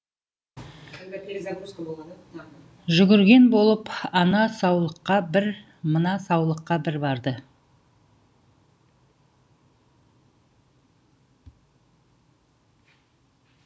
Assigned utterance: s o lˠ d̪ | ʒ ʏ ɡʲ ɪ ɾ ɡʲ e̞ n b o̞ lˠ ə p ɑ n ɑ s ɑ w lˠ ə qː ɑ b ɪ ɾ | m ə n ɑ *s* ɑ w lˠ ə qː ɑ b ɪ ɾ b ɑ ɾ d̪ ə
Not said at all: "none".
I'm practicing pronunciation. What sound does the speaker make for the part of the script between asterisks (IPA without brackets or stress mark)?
s